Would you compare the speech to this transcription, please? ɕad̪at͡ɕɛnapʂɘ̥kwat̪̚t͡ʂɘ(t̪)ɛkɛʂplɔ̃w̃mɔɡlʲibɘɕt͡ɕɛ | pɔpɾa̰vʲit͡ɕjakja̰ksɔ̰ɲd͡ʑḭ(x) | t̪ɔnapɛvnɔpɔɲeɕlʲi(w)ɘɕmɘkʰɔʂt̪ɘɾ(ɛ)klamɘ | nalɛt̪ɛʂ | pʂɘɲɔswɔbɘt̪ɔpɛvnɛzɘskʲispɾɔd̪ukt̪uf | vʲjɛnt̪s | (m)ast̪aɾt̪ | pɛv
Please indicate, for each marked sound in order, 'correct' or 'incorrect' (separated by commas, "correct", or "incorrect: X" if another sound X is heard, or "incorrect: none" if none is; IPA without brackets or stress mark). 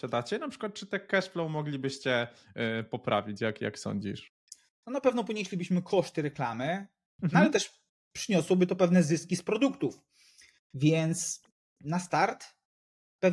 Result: correct, incorrect: ʂ, incorrect: b, correct, incorrect: n